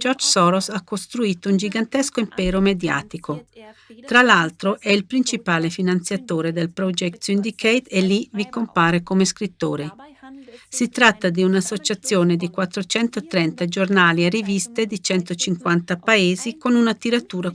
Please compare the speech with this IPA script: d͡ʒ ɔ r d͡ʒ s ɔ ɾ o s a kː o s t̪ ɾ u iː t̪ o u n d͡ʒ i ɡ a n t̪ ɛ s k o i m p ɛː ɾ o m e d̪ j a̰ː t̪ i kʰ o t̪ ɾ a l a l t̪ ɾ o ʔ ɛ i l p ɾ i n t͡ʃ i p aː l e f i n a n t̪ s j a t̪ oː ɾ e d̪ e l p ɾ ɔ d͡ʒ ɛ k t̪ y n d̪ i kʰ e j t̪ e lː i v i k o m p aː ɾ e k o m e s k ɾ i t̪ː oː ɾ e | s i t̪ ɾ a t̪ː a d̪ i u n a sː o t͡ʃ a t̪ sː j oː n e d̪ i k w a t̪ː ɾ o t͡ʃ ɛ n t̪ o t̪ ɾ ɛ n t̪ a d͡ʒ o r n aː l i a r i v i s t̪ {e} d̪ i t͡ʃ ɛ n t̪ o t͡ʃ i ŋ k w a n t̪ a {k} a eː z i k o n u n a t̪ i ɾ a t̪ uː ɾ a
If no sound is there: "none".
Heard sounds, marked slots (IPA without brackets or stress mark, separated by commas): e, p